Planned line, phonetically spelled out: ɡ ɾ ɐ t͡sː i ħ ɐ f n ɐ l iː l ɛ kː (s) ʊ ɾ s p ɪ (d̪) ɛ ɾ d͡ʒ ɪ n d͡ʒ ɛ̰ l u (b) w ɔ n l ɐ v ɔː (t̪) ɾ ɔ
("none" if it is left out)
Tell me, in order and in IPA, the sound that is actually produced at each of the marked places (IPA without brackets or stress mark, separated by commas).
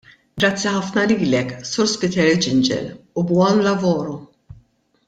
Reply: s, t̪, b, none